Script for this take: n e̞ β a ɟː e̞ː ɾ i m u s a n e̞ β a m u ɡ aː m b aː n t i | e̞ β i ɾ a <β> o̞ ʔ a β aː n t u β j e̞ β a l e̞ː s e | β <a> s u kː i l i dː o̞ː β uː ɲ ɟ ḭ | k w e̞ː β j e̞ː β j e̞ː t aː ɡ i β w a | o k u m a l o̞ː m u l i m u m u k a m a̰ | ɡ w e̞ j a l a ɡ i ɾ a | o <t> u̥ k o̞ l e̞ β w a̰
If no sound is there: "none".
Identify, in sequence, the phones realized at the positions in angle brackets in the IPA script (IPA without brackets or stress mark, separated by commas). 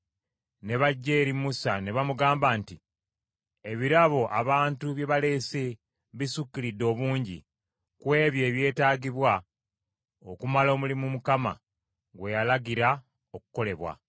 β, i, k